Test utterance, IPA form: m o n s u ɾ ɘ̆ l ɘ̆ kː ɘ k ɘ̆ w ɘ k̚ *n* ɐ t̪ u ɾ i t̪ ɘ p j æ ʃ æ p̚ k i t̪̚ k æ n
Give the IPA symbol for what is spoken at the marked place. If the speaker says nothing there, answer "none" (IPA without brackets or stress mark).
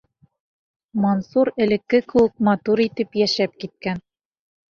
m